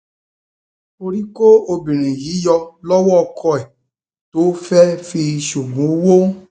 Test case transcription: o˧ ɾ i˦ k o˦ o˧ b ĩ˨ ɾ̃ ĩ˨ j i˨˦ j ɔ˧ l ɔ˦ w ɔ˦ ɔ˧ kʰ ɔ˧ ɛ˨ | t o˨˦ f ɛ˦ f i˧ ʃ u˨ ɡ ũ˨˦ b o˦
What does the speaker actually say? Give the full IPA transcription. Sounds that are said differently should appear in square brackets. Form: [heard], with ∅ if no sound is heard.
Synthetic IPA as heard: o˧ ɾ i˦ k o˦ o˧ b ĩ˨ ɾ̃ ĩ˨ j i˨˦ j ɔ˧ l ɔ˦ w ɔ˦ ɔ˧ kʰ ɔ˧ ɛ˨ | t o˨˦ f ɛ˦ f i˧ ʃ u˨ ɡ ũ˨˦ [w] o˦